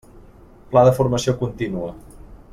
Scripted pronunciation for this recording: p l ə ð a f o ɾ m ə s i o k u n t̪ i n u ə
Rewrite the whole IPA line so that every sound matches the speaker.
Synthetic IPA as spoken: p l a ð ə f u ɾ m ə s i o k u n t̪ i n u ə